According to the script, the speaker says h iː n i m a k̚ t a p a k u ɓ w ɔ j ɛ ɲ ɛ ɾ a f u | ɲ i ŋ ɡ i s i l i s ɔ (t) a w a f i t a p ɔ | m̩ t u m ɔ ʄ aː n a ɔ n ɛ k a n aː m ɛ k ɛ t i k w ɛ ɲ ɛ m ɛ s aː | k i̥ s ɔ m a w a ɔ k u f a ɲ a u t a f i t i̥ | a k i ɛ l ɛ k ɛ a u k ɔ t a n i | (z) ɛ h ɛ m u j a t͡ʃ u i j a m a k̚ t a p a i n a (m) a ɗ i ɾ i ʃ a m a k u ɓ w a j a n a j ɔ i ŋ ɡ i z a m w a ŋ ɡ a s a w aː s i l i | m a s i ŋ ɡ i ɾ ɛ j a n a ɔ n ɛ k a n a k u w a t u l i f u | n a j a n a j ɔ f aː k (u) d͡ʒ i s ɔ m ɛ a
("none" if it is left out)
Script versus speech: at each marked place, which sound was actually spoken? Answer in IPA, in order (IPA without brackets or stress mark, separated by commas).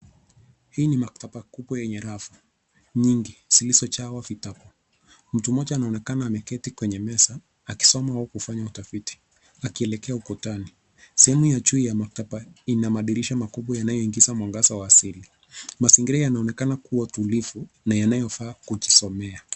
t͡ʃ, s, m, u